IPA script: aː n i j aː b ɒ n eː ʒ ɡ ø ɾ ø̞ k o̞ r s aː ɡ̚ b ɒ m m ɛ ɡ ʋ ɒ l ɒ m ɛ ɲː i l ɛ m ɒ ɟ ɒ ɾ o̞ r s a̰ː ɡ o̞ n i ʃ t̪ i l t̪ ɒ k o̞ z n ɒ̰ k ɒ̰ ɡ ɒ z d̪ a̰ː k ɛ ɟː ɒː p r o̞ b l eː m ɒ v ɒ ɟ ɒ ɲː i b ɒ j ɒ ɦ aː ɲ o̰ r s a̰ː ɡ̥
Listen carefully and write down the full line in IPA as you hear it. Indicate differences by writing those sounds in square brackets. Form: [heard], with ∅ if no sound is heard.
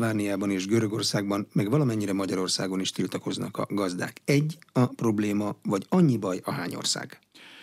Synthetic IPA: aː n i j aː b ɒ n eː ʒ ɡ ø ɾ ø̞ [ɡ] o̞ r s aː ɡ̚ b ɒ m m ɛ ɡ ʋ ɒ l ɒ m ɛ ɲː i [ɾ] ɛ m ɒ ɟ ɒ ɾ o̞ r s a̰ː ɡ o̞ n i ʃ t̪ i l t̪ ɒ k o̞ z n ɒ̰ k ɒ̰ ɡ ɒ z d̪ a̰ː k ɛ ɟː [ɒ] p r o̞ b l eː m ɒ v ɒ ɟ ɒ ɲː i b ɒ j ɒ ɦ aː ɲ o̰ r s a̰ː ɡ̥